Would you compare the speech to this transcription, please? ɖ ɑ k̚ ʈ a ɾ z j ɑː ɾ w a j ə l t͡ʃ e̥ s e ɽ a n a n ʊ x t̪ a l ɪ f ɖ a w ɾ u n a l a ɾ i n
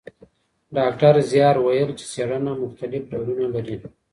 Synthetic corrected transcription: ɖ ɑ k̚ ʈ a ɾ z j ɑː ɾ w a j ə l t͡ʃ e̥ s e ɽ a n a m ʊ x t̪ a l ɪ f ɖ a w ɾ u n a l a ɾ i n